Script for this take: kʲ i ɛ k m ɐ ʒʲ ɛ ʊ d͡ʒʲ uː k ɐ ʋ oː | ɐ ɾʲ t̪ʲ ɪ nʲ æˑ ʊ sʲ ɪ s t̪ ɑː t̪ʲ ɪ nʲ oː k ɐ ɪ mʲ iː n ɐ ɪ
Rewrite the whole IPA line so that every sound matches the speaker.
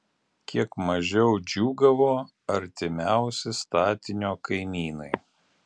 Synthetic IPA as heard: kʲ i ɛ k m ɐ ʒʲ ɛ ʊ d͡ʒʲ uː ɡ ɐ ʋ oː | ɐ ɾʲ t̪ʲ ɪ mʲ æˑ ʊ sʲ ɪ s t̪ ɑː t̪ʲ ɪ nʲ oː k ɐ ɪ mʲ iː n ɐ ɪ